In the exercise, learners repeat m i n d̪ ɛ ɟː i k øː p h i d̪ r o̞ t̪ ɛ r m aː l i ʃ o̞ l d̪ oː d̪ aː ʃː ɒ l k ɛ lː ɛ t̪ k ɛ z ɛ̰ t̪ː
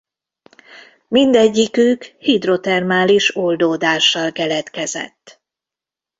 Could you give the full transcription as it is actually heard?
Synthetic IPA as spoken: m i n d̪ ɛ ɟː i k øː k h i d̪ r o̞ t̪ ɛ r m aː l i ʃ o̞ l d̪ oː d̪ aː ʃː ɒ l k ɛ l ɛ t̪ k ɛ z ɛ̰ t̪ː